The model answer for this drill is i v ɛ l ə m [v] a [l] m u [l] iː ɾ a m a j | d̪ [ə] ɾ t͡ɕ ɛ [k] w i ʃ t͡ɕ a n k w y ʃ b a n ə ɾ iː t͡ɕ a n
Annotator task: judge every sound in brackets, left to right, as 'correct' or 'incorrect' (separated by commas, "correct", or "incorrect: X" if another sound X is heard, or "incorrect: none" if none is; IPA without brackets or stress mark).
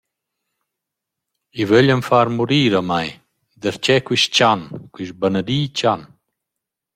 incorrect: f, incorrect: ɾ, incorrect: ɾ, correct, correct